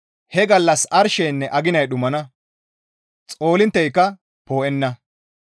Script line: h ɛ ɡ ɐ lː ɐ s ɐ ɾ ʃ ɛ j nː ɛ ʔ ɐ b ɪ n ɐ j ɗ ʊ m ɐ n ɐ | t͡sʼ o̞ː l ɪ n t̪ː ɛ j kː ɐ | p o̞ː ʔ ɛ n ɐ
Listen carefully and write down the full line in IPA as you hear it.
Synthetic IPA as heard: h ɛ ɡ ɐ lː ɐ s ɐ ɾ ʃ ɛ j nː ɛ ʔ ɐ ɡ ɪ n ɐ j ɗ ʊ m ɐ n ɐ | t͡sʼ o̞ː l ɪ n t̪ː ɛ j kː ɐ | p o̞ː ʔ ɛ nː ɐ